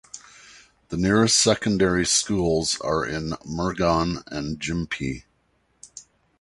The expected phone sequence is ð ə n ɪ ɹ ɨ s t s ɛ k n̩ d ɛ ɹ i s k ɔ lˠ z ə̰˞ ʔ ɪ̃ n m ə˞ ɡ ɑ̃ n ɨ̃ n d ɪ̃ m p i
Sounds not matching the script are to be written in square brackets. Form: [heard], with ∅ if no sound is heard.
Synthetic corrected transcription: ð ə n ɪ ɹ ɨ s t s ɛ k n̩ d ɛ ɹ i s k [u] lˠ z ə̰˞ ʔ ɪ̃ n m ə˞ ɡ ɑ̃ n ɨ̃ n [d͡ʒ] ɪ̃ m [pʰ] i